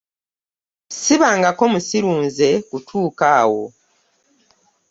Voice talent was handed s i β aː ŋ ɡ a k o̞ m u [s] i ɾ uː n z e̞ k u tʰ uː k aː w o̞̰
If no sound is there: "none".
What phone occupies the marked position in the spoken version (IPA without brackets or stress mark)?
s